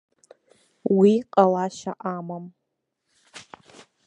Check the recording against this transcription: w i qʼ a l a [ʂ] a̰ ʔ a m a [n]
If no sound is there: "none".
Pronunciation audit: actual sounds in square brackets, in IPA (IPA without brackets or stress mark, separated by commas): ʃ, m